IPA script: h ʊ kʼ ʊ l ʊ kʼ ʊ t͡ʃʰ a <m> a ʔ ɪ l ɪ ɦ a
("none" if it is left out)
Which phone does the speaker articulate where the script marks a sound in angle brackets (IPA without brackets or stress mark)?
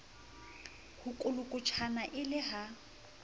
n